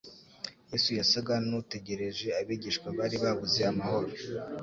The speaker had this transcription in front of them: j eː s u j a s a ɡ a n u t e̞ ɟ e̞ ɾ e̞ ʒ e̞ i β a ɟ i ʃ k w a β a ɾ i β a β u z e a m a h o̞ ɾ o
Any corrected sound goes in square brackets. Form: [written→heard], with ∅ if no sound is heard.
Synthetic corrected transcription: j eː s u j a s a ɡ a n u t e̞ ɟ e̞ ɾ e̞ ʒ e̞ [i→a] β [a→i] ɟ i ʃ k w a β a ɾ i β a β u z e a m a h o̞ ɾ o